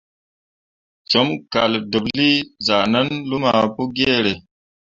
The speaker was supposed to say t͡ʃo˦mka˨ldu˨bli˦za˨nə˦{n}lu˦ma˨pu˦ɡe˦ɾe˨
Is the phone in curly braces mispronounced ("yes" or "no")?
no